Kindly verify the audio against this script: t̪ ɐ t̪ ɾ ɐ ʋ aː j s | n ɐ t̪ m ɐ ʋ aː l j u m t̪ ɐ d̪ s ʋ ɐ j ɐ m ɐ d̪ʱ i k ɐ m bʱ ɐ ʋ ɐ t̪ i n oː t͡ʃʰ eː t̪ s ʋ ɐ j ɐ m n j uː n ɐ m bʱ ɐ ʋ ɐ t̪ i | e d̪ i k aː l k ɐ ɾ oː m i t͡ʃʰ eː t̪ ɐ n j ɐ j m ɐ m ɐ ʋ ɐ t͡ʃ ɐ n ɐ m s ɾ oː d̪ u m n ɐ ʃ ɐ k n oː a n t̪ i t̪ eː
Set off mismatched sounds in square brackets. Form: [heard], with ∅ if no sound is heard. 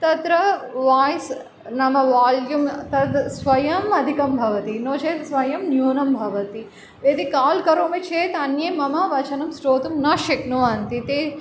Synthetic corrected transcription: t̪ ɐ t̪ ɾ ɐ ʋ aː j s | n ɐ [∅] m ɐ ʋ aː l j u m t̪ ɐ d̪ s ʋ ɐ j ɐ m ɐ d̪ʱ i k ɐ m bʱ ɐ ʋ ɐ t̪ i n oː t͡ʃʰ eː t̪ s ʋ ɐ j ɐ m n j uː n ɐ m bʱ ɐ ʋ ɐ t̪ i | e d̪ i k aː l k ɐ ɾ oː m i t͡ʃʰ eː t̪ ɐ n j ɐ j m ɐ m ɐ ʋ ɐ t͡ʃ ɐ n ɐ m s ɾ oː [t̪] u m n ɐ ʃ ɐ k n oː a n t̪ i t̪ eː